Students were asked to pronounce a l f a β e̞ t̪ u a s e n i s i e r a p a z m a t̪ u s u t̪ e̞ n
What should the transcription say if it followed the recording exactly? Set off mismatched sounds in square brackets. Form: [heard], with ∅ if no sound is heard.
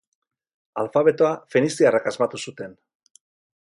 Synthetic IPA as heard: a l f a β e̞ t̪ [o] a [f] e n i s i [a] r a [k] a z m a t̪ u s u t̪ e̞ n

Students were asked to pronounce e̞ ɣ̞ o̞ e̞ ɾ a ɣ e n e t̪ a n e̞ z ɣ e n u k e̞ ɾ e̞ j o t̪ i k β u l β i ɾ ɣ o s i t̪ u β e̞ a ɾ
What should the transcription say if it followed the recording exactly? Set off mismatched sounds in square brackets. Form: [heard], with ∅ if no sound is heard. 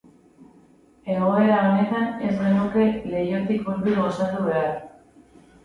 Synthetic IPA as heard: e̞ ɣ̞ o̞ e̞ ɾ a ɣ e n e t̪ a n e̞ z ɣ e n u k e̞ [l] e̞ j o t̪ i k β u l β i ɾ ɣ o s [a] t̪ u β e̞ a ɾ

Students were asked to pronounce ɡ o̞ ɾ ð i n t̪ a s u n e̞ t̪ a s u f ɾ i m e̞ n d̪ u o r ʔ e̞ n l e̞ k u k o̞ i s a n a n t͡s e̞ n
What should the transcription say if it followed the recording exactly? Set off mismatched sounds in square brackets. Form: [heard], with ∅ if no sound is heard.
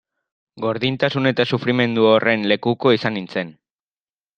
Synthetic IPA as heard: ɡ o̞ ɾ ð i n t̪ a s u n e̞ t̪ a s u f ɾ i m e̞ n d̪ u o r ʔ e̞ n l e̞ k u k o̞ i s a n [i] n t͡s e̞ n

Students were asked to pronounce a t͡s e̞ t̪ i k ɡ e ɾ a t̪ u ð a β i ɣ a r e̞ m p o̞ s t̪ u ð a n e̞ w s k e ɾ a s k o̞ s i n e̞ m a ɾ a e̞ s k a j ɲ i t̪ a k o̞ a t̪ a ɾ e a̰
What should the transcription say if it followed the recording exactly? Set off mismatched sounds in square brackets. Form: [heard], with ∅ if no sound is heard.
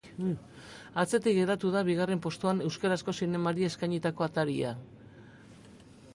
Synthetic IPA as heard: a t͡s e̞ t̪ i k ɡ e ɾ a t̪ u ð a β i ɣ a r e̞ m p o̞ s t̪ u [∅] a n e̞ w s k [a] ɾ a s k o̞ s i n e̞ m a ɾ [i] e̞ s k a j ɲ i t̪ a k o̞ a t̪ a ɾ [i] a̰

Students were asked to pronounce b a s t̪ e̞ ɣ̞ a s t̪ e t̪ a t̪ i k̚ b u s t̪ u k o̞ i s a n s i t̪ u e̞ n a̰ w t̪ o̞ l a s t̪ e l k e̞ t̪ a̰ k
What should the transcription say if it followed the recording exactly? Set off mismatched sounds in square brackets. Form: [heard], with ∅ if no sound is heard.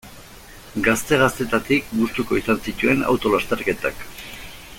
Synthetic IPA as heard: [ɡ] a s t̪ e̞ ɣ̞ a s t̪ e t̪ a t̪ i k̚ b u s t̪ u k o̞ i s a n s i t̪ u e̞ n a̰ w t̪ o̞ l a s t̪ e [ɾ] k e̞ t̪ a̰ k

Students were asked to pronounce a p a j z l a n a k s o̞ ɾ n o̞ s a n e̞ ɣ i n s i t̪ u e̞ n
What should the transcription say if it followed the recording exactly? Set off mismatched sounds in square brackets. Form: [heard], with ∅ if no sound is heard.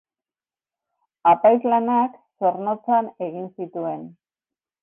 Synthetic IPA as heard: a p a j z l a n a k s o̞ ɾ n o̞ [t͡s] a n e̞ ɣ i n s i t̪ u e̞ n

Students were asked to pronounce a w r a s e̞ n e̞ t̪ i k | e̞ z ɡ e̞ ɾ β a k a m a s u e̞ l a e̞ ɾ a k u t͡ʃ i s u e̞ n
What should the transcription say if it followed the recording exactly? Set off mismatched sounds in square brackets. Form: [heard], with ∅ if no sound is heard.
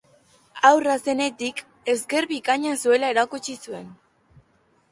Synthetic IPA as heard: a w r a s e̞ n e̞ t̪ i k | e̞ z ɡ e̞ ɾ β [i] k a [ɲ] a s u e̞ l a e̞ ɾ a k u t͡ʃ i s u e̞ n

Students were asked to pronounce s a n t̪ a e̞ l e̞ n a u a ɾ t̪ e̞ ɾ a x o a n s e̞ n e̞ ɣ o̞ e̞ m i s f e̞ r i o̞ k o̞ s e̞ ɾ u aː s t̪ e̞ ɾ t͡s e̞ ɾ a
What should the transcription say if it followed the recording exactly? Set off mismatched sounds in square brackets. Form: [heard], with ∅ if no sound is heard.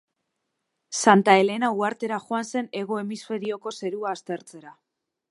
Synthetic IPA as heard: s a n t̪ a e̞ l e̞ n a u a ɾ t̪ e̞ ɾ a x o a n s e̞ n e̞ ɣ o̞ e̞ m i s f e̞ [ɾ] i o̞ k o̞ s e̞ ɾ u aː s t̪ e̞ ɾ t͡s e̞ ɾ a

